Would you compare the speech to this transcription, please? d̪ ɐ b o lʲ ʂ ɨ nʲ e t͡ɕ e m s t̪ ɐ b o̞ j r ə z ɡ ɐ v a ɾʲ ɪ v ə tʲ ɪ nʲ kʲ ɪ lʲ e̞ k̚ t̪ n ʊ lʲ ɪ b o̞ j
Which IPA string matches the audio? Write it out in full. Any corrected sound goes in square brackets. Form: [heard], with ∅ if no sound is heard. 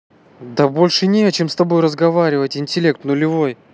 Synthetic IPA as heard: d̪ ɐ b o lʲ ʂ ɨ nʲ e t͡ɕ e m s t̪ ɐ b o̞ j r ə z ɡ ɐ v a ɾʲ ɪ v ə tʲ ɪ nʲ [tʲ] ɪ lʲ e̞ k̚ t̪ n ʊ lʲ ɪ [v] o̞ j